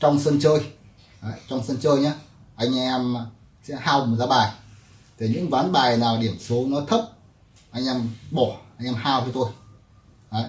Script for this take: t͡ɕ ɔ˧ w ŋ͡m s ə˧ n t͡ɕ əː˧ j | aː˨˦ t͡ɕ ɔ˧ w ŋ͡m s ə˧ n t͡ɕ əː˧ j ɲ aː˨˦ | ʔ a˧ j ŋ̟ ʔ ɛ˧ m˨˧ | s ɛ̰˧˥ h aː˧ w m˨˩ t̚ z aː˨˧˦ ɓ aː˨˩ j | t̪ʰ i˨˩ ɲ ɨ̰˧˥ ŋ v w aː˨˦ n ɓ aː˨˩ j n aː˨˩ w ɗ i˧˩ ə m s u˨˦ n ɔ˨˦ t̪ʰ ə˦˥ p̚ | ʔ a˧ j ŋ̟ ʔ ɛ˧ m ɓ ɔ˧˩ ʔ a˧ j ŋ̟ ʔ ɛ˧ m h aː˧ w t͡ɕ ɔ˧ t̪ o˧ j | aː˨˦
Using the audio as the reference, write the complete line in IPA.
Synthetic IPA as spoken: t͡ɕ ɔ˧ w ŋ͡m s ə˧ n t͡ɕ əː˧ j | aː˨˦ t͡ɕ ɔ˧ w ŋ͡m s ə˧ n t͡ɕ əː˧ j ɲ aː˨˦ | ʔ a˧ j ŋ̟ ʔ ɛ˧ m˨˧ | s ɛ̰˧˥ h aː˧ w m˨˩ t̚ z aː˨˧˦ ɓ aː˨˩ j | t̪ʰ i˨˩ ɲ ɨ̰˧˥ ŋ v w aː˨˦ n ɓ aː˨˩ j n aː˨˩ w ɗ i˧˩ ə m s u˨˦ n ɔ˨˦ t̪ʰ ə˦˥ p̚ | ʔ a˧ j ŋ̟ ʔ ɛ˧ m ɓ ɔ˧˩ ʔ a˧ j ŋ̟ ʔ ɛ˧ m h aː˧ w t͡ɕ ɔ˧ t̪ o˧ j | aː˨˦

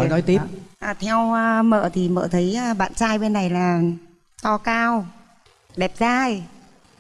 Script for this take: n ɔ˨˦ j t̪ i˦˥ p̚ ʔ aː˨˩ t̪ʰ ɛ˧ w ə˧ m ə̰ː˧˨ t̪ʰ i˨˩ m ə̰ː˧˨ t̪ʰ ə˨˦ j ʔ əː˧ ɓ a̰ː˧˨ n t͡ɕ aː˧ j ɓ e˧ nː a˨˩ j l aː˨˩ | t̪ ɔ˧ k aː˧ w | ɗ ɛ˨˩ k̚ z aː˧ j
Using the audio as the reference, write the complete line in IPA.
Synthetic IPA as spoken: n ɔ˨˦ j t̪ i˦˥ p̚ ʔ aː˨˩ t̪ʰ ɛ˧ w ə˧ m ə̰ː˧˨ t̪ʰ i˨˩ m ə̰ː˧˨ t̪ʰ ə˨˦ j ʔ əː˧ ɓ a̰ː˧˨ n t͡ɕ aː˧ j ɓ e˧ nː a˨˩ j l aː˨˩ | t̪ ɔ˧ k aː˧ w | ɗ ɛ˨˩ p̚ z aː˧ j

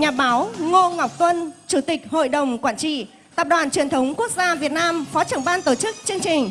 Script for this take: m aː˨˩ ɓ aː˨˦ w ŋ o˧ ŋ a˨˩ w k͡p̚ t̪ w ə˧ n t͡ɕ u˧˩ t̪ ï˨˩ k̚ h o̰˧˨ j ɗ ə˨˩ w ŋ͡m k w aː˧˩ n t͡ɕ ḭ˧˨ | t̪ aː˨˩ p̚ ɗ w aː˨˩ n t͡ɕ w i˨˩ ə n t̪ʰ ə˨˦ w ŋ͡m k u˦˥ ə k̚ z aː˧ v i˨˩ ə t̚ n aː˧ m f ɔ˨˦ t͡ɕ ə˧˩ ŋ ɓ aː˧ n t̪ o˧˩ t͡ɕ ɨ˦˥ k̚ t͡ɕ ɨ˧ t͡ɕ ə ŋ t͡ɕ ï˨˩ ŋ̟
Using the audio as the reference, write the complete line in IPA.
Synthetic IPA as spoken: ɲ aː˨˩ ɓ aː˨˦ w ŋ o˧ ŋ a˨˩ w k͡p̚ t̪ w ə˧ n t͡ɕ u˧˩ t̪ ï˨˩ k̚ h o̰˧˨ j ɗ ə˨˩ w ŋ͡m k w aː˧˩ n t͡ɕ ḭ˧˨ | t̪ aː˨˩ p̚ ɗ w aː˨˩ n t͡ɕ w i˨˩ ə n t̪ʰ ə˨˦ w ŋ͡m k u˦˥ ə k̚ z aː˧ v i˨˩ ə t̚ n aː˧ m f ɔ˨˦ t͡ɕ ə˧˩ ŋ ɓ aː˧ n t̪ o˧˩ t͡ɕ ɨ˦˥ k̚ t͡ɕ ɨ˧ ə ŋ t͡ɕ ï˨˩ ŋ̟

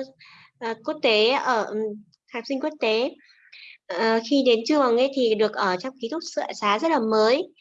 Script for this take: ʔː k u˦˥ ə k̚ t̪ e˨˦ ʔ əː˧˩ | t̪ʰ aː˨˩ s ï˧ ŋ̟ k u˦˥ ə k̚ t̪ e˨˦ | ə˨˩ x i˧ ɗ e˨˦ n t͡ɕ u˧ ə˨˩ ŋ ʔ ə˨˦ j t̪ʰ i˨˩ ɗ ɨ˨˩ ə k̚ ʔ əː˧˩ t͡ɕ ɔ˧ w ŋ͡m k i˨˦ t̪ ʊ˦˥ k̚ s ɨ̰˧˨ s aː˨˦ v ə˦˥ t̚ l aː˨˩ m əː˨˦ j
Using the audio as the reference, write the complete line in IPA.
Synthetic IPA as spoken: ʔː k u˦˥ ə k̚ t̪ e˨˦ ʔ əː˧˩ | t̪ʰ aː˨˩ s ï˧ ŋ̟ k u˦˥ ə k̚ t̪ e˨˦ | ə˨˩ x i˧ ɗ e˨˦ n t͡ɕ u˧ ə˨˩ ŋ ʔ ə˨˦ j t̪ʰ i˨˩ ɗ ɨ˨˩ ə k̚ ʔ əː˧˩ t͡ɕ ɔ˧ w ŋ͡m k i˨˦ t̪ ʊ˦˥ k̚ s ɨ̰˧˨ s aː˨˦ z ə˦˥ t̚ l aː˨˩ m əː˨˦ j

